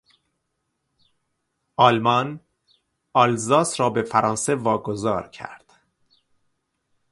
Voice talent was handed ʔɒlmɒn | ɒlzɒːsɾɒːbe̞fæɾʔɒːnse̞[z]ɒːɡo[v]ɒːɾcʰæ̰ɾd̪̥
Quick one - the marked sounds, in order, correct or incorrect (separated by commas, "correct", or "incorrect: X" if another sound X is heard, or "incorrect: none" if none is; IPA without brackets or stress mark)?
incorrect: v, incorrect: z